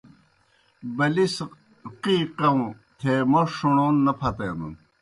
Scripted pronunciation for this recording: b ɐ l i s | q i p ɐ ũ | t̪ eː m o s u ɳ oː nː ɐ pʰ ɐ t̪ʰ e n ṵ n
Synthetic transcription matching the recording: b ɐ l i s | q i q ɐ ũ | t̪ʰ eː m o ʂ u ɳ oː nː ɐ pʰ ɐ t̪ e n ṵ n

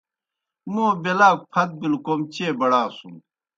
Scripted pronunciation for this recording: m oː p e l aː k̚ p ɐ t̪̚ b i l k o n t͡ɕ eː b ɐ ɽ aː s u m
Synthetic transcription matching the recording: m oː b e l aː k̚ pʰ ɐ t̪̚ b i l k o m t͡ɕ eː b ɐ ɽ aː s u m

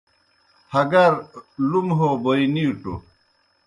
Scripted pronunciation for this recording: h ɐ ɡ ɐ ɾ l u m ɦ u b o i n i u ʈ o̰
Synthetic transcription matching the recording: h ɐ ɡ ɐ ɾ l u m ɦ o b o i n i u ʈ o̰

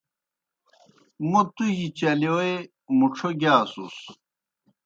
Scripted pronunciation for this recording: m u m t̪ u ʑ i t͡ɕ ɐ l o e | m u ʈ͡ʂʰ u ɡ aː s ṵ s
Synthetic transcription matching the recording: m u t̪ u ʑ i t͡ɕ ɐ l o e | m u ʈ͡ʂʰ o ɡ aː s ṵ s

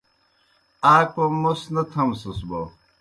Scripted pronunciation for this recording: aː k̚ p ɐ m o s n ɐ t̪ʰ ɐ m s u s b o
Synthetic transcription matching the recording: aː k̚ p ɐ m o s n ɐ t̪ʰ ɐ m s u s b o

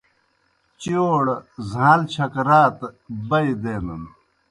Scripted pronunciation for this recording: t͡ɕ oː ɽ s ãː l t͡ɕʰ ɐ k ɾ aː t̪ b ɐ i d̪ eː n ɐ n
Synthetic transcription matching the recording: t͡ɕ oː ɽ z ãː l t͡ɕʰ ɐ k ɾ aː t̪ b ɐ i d̪ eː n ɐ n

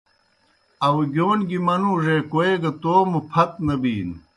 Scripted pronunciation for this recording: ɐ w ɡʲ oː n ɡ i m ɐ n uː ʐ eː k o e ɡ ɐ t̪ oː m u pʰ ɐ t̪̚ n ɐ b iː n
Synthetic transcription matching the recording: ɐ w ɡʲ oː n ɡ i m ɐ n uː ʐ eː k o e ɡ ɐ t̪ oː m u pʰ ɐ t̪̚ n ɐ b iː n

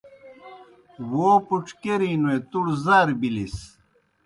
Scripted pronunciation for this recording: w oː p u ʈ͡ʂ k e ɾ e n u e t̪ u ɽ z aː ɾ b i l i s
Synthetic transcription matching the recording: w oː p u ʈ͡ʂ k e ɾ i n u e t̪ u ɽ z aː ɾ b i l i s

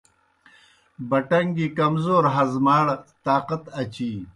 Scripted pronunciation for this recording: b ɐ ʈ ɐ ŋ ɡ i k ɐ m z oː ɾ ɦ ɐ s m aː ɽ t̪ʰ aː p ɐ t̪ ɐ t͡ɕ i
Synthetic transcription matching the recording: b ɐ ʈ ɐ ŋ ɡ i k ɐ m z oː ɾ ɦ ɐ z m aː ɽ t̪ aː q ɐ t̪ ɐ t͡ɕ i

